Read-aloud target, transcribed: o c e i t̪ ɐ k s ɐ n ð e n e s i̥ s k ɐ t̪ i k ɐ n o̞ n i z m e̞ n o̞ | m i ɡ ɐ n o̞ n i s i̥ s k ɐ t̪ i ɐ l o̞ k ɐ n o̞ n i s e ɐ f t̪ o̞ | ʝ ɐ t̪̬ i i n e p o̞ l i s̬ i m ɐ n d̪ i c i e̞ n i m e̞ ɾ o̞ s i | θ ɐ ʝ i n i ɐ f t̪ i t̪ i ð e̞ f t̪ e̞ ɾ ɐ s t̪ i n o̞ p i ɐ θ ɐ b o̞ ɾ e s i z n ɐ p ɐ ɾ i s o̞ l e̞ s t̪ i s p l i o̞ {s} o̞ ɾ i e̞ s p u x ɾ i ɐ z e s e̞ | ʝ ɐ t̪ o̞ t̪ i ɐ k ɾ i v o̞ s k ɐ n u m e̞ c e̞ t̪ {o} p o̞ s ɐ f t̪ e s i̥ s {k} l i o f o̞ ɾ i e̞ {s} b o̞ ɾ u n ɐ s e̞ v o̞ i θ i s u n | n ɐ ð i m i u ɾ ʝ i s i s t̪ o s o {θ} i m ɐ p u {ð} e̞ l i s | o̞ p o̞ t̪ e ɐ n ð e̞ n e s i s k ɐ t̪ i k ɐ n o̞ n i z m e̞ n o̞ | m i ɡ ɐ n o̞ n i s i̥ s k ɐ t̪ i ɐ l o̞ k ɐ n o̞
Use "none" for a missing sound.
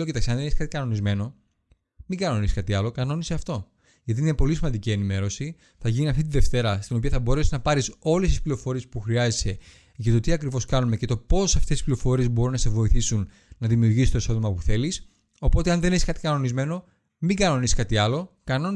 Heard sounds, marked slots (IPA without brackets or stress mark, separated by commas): f, o, p, z, ð, θ